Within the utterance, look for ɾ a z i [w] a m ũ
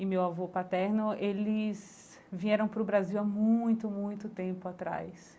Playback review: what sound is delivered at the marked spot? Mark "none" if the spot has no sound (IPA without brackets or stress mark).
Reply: w